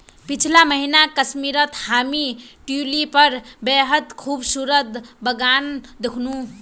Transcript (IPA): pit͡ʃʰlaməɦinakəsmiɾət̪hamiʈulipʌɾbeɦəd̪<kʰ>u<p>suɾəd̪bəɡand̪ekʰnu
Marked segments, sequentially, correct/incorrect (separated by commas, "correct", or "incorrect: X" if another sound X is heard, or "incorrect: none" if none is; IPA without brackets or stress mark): correct, incorrect: b